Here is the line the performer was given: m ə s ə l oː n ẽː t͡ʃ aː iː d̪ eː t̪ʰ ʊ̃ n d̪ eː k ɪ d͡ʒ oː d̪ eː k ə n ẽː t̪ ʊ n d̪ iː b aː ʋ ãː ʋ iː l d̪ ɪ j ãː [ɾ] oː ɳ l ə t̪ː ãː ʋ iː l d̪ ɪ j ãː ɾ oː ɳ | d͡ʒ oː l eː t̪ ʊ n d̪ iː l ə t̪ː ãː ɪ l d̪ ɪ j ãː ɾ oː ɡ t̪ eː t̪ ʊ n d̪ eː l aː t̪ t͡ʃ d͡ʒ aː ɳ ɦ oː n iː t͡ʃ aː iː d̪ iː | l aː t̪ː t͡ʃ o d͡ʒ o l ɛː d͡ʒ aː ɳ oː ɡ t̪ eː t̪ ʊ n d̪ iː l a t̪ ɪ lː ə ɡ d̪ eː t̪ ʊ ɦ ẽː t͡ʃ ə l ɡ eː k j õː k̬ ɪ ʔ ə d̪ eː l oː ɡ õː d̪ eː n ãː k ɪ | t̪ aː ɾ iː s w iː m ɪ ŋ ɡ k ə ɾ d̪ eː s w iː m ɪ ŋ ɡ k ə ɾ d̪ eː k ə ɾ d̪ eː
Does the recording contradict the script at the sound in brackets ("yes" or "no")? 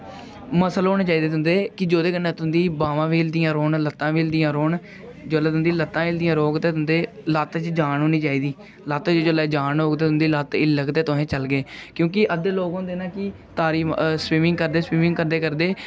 no